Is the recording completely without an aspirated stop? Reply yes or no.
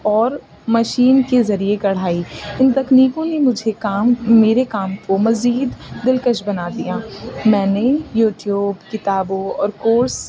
yes